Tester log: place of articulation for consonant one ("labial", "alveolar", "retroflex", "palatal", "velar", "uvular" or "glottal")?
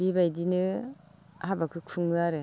labial